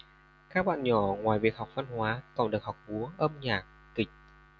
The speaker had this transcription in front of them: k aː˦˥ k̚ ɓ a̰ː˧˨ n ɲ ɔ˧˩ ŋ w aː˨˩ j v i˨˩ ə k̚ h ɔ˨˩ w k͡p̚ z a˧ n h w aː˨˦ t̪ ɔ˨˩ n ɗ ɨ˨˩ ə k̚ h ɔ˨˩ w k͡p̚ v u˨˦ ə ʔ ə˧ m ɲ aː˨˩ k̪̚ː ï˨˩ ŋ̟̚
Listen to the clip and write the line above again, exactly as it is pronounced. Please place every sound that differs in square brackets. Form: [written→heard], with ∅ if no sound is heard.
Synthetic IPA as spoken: k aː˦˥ k̚ ɓ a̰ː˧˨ n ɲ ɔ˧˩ ŋ w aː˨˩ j v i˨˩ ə k̚ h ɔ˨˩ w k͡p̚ [z→v] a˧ n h w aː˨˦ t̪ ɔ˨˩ n ɗ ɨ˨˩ ə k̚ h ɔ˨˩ w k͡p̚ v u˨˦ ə ʔ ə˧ m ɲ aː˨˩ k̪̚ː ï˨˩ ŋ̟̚